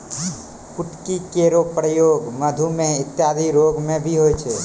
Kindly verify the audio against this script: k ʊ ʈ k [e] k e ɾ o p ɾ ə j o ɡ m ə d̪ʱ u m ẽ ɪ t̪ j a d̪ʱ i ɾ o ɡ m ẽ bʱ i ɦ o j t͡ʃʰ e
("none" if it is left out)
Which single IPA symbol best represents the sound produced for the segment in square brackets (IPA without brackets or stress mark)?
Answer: i